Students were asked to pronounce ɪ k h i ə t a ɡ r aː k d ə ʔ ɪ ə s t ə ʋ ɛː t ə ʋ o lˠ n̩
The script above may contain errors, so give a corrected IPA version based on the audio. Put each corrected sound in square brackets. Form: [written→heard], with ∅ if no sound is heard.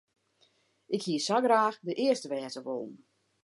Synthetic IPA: ɪ k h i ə [t→s] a ɡ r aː [k→x] d ə ʔ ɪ ə s t ə ʋ ɛː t ə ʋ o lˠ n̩